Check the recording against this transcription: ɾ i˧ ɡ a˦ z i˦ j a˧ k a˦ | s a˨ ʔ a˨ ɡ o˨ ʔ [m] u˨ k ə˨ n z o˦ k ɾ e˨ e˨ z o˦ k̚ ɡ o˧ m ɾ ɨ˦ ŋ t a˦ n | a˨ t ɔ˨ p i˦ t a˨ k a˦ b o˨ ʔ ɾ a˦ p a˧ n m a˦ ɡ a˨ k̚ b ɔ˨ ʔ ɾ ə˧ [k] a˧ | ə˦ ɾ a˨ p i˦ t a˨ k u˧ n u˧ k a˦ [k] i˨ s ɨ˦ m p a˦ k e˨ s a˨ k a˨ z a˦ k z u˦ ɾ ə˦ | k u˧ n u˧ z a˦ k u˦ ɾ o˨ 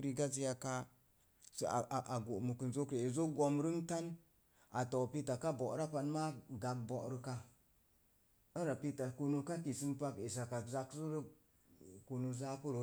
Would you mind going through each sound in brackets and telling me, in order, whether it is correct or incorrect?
correct, correct, correct

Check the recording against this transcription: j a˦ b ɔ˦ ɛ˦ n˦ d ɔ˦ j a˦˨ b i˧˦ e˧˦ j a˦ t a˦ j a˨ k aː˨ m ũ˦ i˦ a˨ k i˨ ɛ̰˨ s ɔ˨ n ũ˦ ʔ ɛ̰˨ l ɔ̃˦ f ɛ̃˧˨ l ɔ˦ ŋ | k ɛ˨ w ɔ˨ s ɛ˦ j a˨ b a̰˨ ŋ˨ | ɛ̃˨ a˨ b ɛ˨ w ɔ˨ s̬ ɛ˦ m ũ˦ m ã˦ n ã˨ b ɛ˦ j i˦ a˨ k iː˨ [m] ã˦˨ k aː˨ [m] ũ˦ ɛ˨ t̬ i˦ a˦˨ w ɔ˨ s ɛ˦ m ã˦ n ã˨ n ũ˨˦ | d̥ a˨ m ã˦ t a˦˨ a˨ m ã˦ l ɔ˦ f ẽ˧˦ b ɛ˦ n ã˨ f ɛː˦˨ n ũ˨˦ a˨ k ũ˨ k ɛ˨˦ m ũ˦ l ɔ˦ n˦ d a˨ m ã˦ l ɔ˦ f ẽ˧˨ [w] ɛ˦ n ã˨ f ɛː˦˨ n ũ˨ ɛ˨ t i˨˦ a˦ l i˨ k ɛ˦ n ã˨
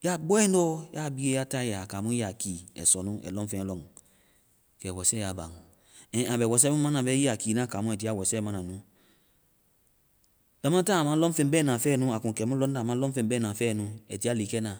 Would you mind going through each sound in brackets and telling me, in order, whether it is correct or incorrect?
incorrect: n, correct, incorrect: b

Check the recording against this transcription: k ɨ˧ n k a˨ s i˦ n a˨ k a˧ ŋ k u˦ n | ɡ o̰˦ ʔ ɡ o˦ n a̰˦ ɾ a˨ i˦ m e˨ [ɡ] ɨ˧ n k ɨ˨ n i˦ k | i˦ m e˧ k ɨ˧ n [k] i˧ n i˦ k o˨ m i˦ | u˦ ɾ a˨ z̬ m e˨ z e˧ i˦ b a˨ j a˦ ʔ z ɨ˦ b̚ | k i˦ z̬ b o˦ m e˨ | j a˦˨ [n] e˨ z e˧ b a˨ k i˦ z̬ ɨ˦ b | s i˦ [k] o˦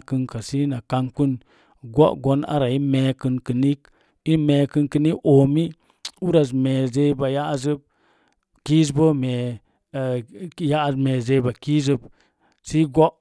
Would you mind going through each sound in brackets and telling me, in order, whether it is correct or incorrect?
incorrect: k, correct, incorrect: m, incorrect: ɡ

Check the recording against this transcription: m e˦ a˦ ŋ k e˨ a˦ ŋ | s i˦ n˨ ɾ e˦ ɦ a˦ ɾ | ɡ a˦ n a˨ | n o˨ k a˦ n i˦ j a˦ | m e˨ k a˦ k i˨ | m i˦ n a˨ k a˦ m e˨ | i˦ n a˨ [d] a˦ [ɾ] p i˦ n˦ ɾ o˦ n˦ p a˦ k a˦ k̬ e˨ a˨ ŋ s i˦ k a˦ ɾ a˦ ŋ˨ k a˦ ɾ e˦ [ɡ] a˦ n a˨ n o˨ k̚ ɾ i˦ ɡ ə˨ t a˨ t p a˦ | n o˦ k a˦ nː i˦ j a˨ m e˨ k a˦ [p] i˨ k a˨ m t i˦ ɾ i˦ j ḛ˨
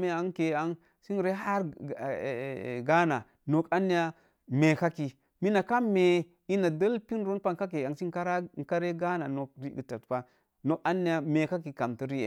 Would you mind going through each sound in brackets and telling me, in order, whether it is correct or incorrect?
correct, incorrect: l, correct, incorrect: k

